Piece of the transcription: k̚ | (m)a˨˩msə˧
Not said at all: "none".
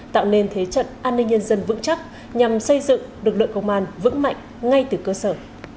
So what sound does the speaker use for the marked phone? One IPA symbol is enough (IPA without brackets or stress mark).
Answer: ɲ